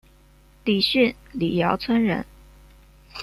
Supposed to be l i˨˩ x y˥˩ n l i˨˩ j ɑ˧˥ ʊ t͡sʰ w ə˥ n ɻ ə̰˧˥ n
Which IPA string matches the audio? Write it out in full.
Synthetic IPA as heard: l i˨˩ ɕ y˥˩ n l i˨˩ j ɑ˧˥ ʊ t͡sʰ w ə˥ n ɻ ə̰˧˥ n